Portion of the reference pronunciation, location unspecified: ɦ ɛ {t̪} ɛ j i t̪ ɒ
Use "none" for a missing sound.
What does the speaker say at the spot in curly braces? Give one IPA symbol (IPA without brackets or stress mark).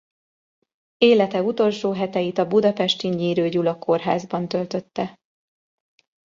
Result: t̪